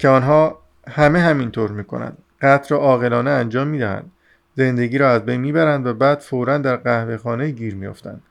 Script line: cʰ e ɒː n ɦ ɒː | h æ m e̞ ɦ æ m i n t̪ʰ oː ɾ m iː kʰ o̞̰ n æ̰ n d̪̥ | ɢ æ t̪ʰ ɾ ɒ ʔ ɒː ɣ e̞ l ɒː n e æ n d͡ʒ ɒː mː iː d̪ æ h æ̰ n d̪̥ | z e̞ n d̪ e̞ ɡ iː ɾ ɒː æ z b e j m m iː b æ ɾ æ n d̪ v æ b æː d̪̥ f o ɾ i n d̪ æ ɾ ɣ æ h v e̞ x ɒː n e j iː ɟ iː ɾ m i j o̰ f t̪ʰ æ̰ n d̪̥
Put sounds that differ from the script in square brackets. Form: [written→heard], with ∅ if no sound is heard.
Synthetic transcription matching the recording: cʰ e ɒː n ɦ ɒː | h æ m e̞ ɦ æ m i n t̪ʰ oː ɾ m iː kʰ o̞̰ n æ̰ n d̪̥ | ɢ æ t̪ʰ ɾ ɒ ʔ ɒː ɣ e̞ l ɒː n e æ n d͡ʒ ɒː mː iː d̪ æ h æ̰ n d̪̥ | z e̞ n d̪ e̞ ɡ iː ɾ ɒː æ z b e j [m→n] m iː b æ ɾ æ n d̪ v æ b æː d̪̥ f o ɾ [i→æ] n d̪ æ ɾ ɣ æ h v e̞ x ɒː n e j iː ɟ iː ɾ m i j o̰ f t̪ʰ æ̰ n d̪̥